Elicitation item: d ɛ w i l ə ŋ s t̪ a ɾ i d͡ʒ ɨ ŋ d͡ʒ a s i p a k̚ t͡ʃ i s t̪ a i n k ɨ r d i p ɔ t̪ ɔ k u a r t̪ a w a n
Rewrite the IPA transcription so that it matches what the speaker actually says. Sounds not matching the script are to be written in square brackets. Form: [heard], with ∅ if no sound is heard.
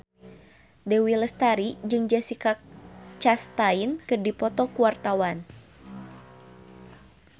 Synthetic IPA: d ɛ w i l ə [∅] s t̪ a ɾ i d͡ʒ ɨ ŋ d͡ʒ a s i [k] a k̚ t͡ʃ [a] s t̪ a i n k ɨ r d i p ɔ t̪ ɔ k u a r t̪ a w a n